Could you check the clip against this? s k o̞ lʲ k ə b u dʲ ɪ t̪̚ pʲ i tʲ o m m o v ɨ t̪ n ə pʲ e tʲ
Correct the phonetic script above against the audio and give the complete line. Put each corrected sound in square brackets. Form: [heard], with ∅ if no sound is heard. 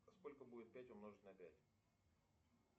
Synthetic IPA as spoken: s k o̞ lʲ k ə b u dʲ ɪ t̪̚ pʲ [æ] tʲ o m [n] o [ʐ] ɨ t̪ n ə pʲ [æ] tʲ